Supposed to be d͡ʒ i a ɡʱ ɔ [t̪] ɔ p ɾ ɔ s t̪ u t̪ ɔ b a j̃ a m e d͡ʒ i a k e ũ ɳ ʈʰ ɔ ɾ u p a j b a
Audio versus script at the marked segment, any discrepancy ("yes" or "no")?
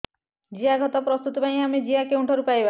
no